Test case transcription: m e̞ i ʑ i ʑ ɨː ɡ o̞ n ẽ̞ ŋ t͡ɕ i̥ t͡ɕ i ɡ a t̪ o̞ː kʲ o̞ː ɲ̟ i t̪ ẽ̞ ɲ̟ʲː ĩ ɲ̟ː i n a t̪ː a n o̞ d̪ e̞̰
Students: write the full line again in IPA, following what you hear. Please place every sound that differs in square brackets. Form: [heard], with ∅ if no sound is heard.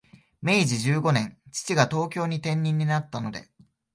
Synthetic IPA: m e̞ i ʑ i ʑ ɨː ɡ o̞ n ẽ̞ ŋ t͡ɕ i̥ t͡ɕ i ɡ a t̪ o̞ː kʲ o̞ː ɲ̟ i t̪ ẽ̞ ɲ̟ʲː ĩ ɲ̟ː i n a t̪ː a n o̞ d̪ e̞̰